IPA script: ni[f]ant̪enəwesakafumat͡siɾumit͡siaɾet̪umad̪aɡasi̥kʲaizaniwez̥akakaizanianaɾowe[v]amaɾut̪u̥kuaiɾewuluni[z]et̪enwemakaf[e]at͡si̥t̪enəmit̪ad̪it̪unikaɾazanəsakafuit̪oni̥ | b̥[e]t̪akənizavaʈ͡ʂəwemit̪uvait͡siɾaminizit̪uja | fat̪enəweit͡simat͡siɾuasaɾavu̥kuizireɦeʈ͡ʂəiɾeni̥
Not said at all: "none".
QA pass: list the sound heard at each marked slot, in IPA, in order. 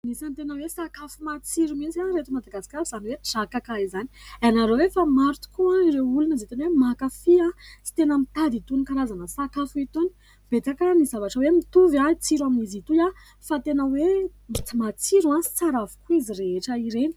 s, f, z, i, e

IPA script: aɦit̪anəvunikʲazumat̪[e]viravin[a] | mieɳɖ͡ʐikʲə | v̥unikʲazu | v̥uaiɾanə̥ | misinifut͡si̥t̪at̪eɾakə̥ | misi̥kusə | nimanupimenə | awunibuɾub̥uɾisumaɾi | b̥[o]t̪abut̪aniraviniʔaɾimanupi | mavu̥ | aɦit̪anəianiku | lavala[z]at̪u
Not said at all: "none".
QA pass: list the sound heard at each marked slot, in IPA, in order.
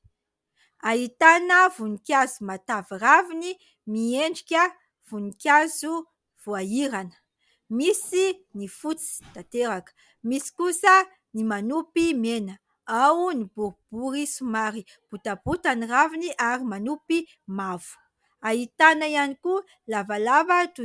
a, i, u, v

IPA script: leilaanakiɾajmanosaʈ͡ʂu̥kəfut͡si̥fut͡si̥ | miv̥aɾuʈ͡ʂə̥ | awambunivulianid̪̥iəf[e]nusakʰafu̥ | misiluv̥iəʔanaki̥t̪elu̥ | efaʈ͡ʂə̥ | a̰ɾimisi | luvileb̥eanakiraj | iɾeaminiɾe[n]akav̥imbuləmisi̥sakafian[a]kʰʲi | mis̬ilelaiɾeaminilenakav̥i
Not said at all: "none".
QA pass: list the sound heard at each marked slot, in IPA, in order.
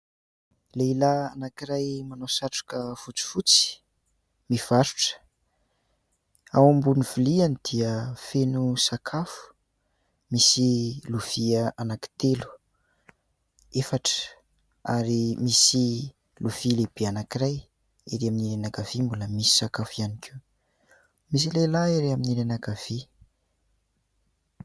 e, n, i

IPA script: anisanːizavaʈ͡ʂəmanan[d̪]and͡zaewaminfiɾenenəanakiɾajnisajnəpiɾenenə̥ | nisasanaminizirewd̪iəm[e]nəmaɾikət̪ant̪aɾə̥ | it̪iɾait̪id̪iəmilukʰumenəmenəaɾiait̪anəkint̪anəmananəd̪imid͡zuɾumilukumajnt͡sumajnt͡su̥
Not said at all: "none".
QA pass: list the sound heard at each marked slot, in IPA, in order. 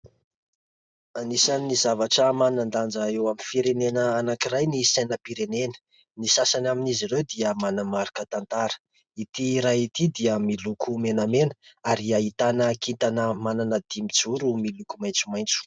d̪, a

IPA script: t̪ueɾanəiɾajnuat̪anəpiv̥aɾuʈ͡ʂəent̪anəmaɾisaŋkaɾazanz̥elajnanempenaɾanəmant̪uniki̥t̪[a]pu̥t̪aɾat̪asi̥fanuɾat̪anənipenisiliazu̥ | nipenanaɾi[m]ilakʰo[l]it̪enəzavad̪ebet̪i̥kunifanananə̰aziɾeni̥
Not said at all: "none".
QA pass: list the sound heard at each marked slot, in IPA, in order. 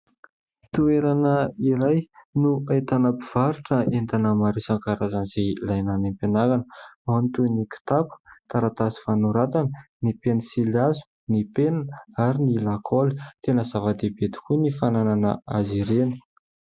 a, n, l

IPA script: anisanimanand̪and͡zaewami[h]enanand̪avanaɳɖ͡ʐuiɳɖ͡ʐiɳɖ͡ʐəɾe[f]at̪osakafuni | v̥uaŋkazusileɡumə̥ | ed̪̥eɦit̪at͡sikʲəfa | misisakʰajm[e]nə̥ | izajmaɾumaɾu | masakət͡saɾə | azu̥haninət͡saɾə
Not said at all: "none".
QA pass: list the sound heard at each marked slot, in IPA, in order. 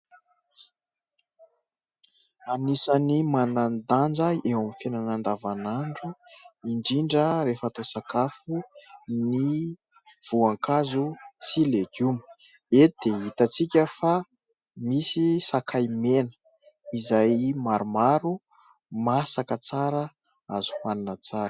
f, f, e

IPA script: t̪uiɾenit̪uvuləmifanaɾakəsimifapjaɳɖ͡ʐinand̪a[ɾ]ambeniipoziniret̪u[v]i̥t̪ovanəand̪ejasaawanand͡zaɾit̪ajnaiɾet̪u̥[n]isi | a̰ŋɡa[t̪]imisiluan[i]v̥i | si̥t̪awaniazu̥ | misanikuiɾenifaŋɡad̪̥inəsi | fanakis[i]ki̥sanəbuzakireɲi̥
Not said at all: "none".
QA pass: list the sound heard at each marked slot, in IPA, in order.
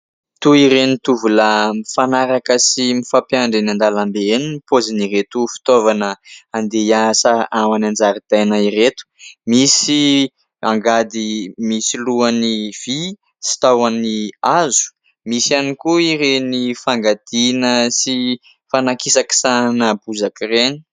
l, f, m, d̪, i, a

